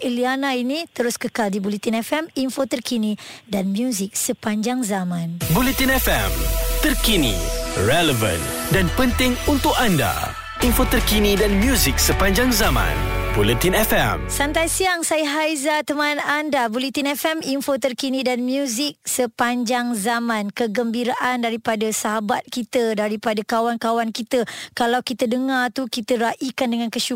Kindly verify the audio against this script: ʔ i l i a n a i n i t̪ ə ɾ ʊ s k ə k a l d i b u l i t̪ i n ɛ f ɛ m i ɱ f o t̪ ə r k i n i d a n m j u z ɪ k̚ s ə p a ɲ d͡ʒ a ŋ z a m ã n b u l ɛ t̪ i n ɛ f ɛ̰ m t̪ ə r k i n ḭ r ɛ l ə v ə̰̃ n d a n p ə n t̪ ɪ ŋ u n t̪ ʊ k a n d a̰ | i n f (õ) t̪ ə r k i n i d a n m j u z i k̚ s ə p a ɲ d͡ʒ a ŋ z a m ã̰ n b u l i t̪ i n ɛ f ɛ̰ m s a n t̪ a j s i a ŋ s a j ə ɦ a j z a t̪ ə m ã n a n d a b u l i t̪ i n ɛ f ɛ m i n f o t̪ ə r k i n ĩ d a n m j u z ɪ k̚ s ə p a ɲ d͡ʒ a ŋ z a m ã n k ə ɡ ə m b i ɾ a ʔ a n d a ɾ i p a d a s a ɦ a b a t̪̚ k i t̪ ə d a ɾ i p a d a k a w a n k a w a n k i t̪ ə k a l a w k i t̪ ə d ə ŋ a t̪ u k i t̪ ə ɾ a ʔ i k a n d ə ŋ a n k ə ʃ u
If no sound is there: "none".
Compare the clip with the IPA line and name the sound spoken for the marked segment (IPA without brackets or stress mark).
o